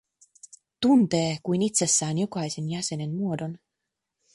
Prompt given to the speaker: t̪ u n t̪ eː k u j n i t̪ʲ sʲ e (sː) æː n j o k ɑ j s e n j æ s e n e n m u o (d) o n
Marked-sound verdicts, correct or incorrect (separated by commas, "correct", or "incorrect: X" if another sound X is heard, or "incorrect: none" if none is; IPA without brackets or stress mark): correct, correct